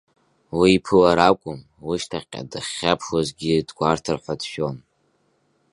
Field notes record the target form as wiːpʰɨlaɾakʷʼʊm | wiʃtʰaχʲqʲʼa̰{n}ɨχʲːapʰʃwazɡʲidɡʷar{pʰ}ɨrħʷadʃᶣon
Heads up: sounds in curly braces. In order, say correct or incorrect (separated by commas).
incorrect, incorrect